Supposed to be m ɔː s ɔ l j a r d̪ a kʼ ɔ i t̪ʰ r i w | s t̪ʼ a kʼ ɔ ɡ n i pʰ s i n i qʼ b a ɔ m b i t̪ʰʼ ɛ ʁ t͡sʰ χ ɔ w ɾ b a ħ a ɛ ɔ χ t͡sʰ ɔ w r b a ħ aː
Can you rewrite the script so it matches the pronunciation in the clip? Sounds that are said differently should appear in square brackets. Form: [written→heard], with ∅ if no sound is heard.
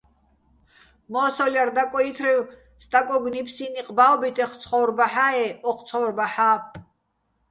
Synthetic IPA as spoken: m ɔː s ɔ l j a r d̪ a kʼ ɔ i t̪ʰ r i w | s t̪ʼ a kʼ ɔ ɡ n i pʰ s i n i qʼ b a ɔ [m→∅] b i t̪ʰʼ ɛ [ʁ→χ] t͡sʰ χ ɔ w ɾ b a ħ a ɛ ɔ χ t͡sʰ ɔ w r b a ħ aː